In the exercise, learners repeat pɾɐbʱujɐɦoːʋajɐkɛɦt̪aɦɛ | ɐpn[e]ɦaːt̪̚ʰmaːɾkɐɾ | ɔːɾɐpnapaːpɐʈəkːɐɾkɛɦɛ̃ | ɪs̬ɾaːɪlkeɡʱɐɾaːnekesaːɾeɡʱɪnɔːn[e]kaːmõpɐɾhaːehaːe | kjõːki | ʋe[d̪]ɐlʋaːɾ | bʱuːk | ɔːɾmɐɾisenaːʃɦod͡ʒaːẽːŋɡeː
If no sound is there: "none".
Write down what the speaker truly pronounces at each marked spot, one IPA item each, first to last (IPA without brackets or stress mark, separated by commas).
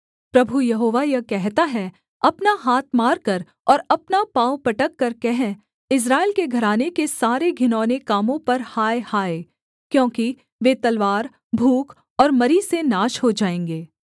a, e, t̪